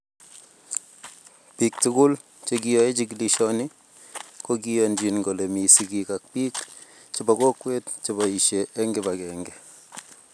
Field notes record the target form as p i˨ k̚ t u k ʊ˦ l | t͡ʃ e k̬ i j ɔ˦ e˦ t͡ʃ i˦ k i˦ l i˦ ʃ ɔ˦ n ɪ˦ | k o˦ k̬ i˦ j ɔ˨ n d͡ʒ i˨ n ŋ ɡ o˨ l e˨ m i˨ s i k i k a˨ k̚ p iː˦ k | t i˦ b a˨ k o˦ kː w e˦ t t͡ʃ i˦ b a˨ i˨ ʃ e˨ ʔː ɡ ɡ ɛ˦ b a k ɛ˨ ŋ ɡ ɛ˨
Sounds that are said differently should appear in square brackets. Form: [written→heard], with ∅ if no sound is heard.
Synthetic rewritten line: p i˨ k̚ t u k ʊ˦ l | t͡ʃ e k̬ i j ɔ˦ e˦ t͡ʃ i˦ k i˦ l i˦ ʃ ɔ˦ n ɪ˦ | k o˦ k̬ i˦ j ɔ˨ n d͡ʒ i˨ n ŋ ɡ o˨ l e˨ m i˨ s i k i k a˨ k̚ p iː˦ k | [t→t͡ʃ] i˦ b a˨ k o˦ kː w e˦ t t͡ʃ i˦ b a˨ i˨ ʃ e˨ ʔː [ɡ→ŋ] ɡ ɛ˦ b a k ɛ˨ ŋ ɡ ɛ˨